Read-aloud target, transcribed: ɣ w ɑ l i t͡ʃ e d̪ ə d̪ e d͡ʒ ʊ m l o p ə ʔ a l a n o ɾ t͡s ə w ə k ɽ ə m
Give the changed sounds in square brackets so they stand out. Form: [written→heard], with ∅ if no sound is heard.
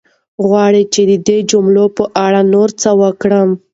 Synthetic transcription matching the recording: ɣ w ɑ [l→ɽ] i t͡ʃ e d̪ ə d̪ e d͡ʒ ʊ m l o p ə ʔ a [l→ɽ] a n o ɾ t͡s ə w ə k ɽ ə m